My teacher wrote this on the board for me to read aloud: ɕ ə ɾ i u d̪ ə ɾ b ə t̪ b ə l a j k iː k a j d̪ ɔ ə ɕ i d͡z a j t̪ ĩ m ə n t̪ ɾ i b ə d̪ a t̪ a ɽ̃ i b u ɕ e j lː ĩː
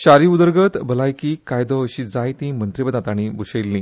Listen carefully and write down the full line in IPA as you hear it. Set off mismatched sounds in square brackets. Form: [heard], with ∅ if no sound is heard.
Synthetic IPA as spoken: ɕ [a] ɾ i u d̪ ə ɾ [ɡ] ə t̪ b ə l a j k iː k a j d̪ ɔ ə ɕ i d͡z a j t̪ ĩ m ə n t̪ ɾ i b ə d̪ a t̪ a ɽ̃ i b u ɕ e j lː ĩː